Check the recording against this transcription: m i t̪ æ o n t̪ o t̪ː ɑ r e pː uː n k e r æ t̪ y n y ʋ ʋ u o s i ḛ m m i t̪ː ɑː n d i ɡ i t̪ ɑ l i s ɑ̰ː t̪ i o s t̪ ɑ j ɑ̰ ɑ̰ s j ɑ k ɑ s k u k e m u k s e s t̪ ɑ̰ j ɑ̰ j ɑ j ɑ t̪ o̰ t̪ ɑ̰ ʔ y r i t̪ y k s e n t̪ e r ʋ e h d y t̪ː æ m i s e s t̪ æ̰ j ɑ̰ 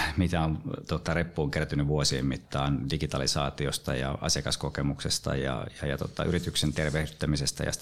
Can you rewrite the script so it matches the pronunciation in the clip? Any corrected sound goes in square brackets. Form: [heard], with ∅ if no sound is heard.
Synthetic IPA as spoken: m i t̪ æ o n t̪ o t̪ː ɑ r e pː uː [ŋ] k e r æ t̪ y n y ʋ ʋ u o s i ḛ m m i t̪ː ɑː n d i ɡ i t̪ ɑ l i s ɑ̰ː t̪ i o s t̪ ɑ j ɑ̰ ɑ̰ s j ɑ k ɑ s k [o] k e m u k s e s t̪ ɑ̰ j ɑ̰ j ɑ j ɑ t̪ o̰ t̪ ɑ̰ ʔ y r i t̪ y k s e n t̪ e r ʋ e h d y t̪ː æ m i s e s t̪ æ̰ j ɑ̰